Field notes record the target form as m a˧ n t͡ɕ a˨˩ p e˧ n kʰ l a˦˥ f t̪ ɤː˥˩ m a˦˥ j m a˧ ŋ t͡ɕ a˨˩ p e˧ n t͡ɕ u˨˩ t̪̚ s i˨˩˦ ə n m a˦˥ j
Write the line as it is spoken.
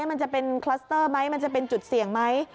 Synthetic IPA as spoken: m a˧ n t͡ɕ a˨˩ p e˧ n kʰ l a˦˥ s t̪ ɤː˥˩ m a˦˥ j m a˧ n t͡ɕ a˨˩ p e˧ n t͡ɕ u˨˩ t̪̚ s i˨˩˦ ə ŋ m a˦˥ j